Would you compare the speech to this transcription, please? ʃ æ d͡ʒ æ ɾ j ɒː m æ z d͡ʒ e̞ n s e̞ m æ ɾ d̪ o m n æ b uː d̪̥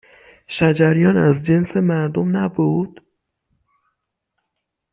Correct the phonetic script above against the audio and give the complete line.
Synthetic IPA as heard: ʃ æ d͡ʒ æ ɾ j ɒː n æ z d͡ʒ e̞ n s e̞ m æ ɾ d̪ o m n æ b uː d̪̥